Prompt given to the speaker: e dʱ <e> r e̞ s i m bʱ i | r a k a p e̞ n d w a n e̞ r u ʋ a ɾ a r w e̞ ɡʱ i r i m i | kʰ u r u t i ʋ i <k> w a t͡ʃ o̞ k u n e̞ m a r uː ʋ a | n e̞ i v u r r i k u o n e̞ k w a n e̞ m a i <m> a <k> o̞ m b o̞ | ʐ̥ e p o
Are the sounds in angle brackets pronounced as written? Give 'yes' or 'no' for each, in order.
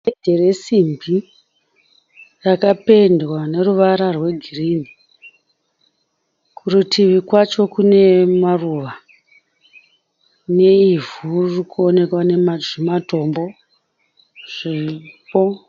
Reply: yes, yes, yes, no

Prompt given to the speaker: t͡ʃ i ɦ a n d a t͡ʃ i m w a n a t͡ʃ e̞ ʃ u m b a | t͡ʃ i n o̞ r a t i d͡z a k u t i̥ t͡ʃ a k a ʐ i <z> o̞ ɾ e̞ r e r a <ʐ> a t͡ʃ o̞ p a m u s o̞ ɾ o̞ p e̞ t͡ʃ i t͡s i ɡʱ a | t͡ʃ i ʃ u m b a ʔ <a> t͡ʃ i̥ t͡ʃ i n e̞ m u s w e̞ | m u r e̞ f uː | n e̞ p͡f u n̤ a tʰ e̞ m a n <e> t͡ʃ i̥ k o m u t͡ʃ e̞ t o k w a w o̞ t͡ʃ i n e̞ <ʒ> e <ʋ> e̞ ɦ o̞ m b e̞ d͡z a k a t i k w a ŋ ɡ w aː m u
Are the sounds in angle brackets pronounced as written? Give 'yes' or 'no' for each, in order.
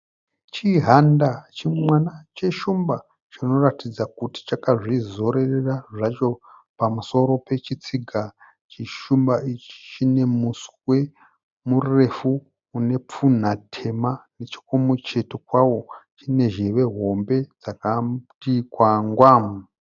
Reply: yes, yes, no, yes, yes, yes

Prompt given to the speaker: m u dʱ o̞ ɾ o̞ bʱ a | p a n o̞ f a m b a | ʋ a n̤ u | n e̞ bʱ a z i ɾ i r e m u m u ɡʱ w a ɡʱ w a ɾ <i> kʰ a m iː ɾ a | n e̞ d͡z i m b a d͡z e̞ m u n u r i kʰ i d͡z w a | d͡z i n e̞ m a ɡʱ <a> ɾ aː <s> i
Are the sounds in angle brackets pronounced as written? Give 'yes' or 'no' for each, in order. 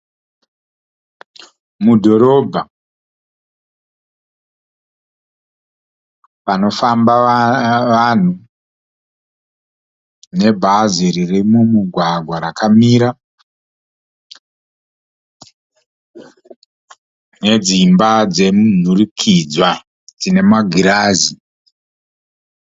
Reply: no, no, no

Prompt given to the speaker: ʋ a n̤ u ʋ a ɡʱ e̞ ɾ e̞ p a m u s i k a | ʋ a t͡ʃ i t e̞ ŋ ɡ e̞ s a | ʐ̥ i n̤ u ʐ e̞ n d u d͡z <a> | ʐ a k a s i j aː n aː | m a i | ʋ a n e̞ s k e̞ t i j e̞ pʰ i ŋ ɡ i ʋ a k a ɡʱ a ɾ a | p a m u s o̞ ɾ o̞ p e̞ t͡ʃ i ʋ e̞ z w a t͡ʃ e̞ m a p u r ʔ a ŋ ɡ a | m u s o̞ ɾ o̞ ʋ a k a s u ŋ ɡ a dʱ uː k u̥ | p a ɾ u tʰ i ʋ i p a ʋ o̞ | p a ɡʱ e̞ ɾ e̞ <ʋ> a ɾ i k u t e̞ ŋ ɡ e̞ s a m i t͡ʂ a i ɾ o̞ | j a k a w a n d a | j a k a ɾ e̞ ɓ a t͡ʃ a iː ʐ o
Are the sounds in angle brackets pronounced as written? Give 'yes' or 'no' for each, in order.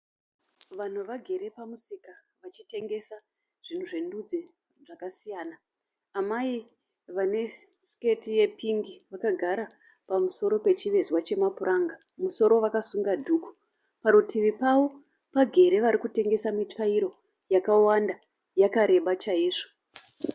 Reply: no, yes

